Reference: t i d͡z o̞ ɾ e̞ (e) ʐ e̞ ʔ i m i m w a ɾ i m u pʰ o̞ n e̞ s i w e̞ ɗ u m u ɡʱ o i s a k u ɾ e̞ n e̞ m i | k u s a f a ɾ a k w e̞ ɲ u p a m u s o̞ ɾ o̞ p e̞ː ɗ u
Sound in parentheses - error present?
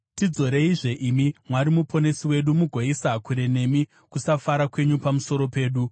yes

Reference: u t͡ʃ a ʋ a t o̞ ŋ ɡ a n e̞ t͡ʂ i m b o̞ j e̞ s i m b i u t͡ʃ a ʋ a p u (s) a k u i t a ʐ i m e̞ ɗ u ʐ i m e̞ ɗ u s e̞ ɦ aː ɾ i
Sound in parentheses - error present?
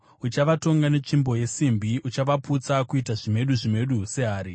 yes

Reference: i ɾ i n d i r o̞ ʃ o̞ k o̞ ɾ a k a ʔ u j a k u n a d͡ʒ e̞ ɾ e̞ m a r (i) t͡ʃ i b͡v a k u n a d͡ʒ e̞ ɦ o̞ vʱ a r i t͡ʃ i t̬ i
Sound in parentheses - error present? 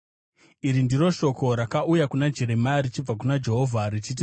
no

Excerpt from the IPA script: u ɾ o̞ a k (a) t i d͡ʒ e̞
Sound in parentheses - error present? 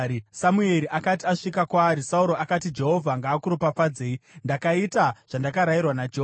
no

